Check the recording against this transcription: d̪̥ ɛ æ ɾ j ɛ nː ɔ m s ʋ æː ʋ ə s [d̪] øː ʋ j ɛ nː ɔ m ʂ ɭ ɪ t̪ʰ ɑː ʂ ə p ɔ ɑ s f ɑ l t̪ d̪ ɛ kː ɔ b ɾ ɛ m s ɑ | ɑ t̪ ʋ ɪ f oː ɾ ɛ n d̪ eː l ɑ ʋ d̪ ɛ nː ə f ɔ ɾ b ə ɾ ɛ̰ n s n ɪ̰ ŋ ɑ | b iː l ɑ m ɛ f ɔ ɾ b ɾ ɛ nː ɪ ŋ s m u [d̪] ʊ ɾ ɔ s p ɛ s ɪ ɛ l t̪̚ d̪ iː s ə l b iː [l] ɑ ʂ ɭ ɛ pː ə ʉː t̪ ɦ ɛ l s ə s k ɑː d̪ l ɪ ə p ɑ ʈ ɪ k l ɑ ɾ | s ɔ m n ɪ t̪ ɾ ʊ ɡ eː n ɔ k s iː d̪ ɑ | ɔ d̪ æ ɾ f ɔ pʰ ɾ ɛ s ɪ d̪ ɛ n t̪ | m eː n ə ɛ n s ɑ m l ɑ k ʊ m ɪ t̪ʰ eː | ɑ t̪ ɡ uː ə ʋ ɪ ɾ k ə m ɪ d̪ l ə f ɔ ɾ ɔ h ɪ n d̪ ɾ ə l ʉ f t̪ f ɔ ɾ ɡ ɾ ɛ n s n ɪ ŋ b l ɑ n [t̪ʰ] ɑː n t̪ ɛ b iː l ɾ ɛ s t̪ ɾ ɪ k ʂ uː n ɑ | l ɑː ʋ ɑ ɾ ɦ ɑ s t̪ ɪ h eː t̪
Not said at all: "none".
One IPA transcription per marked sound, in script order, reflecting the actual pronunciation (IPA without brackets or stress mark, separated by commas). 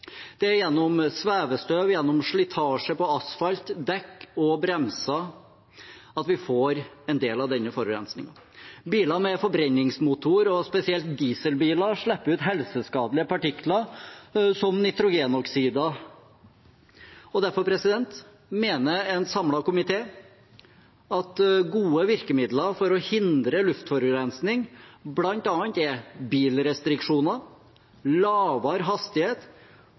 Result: t̪, t̪, l, t̪